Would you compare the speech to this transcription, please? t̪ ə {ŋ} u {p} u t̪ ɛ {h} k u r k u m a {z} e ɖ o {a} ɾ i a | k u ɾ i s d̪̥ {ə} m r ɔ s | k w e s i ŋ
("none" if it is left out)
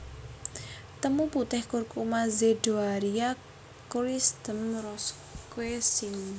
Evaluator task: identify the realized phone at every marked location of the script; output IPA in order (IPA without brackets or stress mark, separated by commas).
m, p, h, z, a, ə